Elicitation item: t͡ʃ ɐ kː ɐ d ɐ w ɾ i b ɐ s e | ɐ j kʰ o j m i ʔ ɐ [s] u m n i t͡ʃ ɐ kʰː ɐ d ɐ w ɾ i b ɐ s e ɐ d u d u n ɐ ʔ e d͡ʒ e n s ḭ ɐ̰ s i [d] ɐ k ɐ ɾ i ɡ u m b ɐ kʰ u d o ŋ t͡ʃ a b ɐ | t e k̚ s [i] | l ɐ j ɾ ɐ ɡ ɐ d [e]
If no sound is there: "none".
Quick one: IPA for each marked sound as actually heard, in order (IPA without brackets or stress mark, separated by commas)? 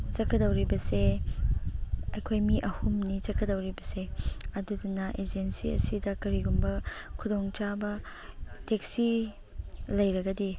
h, d, i, i